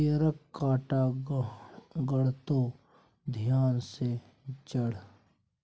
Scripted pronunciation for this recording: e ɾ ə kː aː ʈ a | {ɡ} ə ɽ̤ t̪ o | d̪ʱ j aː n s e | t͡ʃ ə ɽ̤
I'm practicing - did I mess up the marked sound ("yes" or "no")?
no